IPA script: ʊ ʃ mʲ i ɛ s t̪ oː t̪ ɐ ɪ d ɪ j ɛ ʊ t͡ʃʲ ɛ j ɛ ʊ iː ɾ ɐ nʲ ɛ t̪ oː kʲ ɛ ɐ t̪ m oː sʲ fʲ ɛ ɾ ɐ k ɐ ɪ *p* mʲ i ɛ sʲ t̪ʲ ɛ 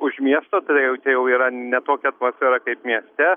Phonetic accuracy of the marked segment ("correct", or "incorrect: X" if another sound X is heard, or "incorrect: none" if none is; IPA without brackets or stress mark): correct